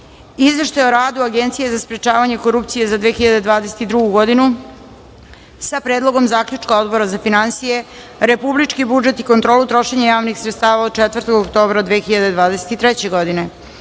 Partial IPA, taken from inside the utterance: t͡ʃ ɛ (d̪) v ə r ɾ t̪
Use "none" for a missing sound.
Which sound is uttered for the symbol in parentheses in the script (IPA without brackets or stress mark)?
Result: t̪